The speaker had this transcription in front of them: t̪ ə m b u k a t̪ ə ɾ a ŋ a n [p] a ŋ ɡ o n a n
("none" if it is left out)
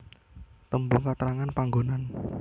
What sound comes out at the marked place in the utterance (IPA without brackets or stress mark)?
p